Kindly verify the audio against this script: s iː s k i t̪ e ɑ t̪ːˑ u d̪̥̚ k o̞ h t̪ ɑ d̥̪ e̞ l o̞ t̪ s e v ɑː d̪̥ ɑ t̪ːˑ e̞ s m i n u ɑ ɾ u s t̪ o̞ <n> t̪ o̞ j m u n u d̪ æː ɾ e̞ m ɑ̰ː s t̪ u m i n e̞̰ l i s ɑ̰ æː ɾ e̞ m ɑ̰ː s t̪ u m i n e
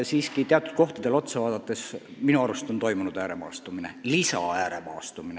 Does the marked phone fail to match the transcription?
no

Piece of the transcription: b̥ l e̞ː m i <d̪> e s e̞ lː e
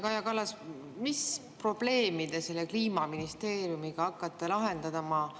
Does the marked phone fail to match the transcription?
no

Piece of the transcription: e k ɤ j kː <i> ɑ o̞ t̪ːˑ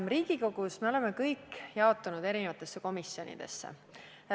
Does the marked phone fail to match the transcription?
yes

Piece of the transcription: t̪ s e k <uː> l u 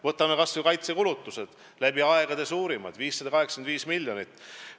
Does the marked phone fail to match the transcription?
yes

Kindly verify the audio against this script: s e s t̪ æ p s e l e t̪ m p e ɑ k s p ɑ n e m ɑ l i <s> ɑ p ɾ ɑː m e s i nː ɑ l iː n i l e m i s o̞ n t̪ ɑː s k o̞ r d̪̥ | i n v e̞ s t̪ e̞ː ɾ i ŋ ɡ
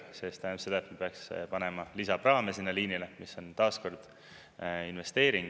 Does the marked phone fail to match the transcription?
no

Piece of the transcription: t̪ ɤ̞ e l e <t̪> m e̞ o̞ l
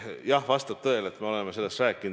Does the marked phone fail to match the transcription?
no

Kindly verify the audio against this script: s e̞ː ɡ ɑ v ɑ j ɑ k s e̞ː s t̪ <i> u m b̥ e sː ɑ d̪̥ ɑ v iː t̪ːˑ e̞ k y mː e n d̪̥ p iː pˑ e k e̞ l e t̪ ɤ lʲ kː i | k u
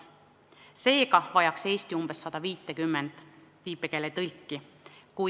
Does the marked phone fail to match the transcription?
no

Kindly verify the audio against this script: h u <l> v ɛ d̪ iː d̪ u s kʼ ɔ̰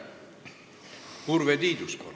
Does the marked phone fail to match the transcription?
yes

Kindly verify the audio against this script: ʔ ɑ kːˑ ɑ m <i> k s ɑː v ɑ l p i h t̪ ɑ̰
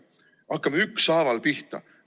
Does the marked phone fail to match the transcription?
yes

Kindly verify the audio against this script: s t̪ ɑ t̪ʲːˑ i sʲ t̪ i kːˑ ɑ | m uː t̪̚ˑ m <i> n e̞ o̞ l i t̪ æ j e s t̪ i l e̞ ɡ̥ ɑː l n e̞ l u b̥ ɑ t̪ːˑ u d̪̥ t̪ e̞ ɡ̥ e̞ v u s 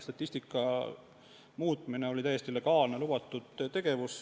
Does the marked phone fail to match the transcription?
no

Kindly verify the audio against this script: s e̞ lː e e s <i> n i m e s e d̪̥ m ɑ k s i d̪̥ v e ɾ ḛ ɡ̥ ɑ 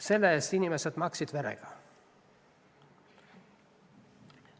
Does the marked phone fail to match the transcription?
no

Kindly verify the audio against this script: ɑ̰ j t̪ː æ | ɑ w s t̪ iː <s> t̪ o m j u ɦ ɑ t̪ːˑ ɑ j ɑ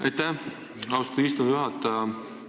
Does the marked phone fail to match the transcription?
no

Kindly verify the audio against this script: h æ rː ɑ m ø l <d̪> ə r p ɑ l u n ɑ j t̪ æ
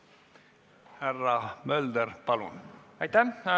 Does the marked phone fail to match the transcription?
no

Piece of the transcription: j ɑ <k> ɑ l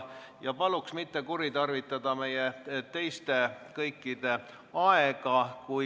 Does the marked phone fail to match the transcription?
yes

